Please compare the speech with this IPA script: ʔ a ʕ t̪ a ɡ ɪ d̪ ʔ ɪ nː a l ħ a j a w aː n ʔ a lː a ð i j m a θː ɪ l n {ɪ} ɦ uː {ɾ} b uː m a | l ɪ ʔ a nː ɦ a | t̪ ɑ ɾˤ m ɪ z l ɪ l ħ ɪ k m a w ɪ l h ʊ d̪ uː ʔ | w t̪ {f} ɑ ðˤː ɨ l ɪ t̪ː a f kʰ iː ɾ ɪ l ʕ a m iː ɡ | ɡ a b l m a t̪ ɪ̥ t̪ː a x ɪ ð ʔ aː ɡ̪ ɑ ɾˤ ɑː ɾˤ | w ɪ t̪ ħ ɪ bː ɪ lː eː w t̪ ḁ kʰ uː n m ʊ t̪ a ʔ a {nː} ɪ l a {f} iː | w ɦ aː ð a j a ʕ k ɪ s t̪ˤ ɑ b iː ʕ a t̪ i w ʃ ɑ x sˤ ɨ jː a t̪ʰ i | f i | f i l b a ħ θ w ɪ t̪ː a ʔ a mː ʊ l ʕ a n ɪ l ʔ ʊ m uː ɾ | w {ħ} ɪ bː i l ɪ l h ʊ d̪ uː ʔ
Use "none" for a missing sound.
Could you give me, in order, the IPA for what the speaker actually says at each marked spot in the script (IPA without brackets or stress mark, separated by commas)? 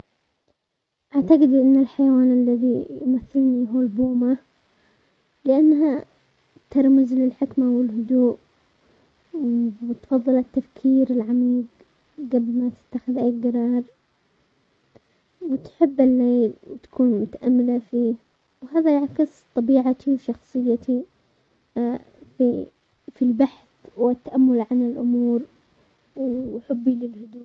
i, l, f, mː, f, ħ